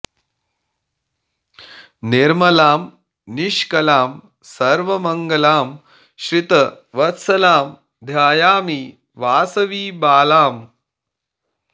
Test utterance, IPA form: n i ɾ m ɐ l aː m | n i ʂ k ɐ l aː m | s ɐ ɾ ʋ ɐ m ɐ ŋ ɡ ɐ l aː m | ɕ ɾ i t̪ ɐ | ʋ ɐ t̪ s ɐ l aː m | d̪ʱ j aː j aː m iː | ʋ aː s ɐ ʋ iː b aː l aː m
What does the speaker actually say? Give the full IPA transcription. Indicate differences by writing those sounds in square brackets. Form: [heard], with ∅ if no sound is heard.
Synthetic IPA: n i ɾ m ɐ l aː m | n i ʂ k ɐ l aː m | s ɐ ɾ ʋ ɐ m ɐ ŋ ɡ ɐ l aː m | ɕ ɾ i t̪ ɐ | ʋ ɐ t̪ s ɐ l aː m | d̪ʱ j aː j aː m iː | ʋ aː s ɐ ʋ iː b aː l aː m